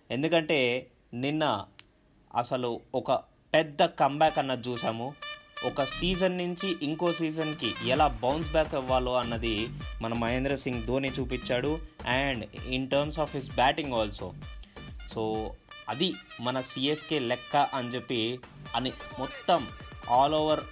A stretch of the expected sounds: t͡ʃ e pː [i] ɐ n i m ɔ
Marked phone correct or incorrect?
correct